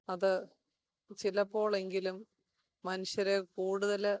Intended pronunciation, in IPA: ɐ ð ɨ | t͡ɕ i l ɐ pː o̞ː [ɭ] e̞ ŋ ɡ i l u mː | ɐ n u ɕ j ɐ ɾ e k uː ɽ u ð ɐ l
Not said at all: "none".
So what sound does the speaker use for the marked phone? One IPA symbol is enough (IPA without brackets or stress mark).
ɭ